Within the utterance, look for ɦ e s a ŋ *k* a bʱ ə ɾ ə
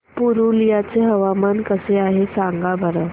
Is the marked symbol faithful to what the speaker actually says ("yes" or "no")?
no